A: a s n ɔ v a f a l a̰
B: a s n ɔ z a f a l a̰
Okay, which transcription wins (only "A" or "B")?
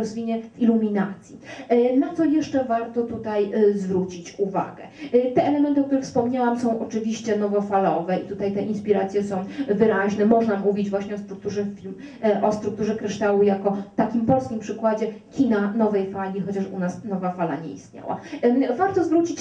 A